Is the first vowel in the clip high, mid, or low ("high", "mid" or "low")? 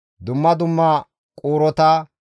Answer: high